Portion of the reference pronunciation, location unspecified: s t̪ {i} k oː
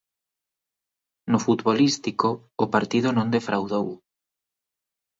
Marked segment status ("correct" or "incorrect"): correct